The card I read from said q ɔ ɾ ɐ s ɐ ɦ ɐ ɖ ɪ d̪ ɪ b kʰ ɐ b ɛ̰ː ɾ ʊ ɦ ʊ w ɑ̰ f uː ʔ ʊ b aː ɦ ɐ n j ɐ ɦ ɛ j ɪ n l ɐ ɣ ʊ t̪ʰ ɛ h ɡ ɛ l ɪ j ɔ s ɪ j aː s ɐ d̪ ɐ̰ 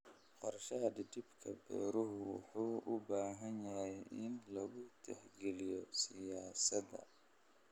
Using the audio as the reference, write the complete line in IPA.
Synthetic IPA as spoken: q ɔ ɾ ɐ ʃ ɐ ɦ ɐ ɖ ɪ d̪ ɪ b kʰ ɐ b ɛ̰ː ɾ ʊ ɦ ʊ w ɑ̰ ħ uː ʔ ʊ b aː ɦ ɐ n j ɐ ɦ ɛ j ɪ n l ɐ ɣ ʊ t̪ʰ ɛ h ɡ ɛ l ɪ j ɔ s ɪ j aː s ɐ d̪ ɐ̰